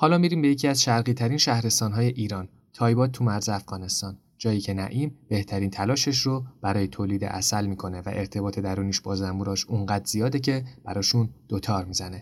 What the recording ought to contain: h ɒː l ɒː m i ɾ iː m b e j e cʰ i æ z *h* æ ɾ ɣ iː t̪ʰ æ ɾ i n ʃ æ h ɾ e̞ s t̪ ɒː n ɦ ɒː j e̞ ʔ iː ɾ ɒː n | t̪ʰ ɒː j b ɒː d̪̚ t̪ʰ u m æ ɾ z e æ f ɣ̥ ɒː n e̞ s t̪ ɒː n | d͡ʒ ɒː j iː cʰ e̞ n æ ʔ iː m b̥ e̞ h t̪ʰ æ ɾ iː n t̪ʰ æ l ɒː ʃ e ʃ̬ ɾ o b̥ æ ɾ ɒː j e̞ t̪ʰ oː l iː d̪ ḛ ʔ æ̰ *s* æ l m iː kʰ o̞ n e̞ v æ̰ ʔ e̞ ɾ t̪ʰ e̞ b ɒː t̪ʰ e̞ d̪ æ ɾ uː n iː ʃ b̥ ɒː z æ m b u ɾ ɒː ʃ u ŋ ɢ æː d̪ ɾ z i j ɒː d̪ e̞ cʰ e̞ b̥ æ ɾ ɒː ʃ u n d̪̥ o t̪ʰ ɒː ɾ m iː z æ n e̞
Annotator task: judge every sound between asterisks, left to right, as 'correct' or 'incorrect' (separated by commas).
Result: incorrect, correct